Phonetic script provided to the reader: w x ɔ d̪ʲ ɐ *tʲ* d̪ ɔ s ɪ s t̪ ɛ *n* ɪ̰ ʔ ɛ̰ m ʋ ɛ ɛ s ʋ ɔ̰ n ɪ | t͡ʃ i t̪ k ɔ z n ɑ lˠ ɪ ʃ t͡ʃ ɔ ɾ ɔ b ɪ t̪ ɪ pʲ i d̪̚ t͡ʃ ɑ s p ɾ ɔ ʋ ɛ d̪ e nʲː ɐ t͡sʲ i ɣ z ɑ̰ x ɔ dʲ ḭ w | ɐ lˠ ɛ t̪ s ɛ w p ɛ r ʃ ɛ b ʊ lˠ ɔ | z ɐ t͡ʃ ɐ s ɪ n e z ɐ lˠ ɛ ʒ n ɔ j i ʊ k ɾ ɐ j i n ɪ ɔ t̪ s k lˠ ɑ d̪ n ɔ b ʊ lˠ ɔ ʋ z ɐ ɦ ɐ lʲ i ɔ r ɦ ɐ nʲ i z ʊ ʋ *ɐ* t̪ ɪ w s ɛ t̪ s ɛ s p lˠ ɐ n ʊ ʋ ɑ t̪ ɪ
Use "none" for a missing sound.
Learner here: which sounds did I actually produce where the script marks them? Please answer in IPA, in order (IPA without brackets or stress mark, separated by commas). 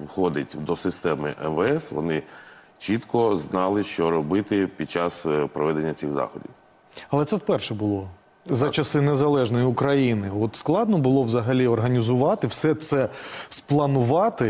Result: tʲ, m, ɑ